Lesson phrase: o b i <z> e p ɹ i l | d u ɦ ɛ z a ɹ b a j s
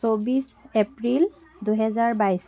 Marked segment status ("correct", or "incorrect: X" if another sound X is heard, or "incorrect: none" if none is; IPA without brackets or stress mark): incorrect: s